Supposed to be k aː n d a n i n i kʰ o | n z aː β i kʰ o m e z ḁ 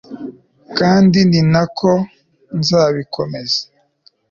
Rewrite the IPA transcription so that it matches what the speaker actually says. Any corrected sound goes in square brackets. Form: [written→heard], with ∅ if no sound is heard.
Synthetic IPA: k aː n d [a→i] n i n [i→a] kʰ o | n z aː β i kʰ o m e z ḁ